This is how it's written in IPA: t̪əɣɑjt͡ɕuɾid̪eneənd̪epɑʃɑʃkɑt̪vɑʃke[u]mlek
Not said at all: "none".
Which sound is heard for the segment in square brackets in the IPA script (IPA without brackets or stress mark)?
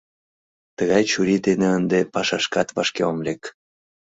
o